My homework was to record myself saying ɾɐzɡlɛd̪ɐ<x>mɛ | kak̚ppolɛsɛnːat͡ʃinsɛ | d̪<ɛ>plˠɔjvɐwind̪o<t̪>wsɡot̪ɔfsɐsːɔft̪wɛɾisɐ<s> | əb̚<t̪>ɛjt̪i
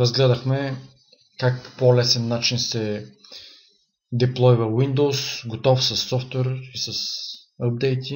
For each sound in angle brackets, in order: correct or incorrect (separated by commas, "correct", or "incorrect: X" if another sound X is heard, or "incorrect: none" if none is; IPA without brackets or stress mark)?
correct, correct, incorrect: none, correct, incorrect: d̪